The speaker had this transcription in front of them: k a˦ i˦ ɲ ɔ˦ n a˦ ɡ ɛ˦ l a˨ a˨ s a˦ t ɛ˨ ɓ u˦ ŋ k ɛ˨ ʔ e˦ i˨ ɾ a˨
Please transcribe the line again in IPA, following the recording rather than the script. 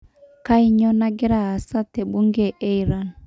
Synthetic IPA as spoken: k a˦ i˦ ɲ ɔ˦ n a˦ ɡ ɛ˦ ɾ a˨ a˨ s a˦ t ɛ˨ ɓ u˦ ŋ ɡ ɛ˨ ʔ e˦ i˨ ɾ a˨